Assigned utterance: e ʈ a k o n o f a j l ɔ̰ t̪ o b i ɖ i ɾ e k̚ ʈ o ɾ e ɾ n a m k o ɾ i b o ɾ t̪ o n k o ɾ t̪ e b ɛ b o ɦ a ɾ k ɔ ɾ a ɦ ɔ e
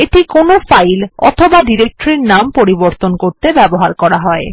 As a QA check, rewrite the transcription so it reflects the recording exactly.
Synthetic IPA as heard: e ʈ i k o n o f a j l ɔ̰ t̪ʰ o b a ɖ i ɾ e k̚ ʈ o ɾ e ɾ n a m p o ɾ i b o ɾ t̪ o n k o ɾ t̪ e b ɛ b o ɦ a ɾ k ɔ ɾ a ɦ ɔ e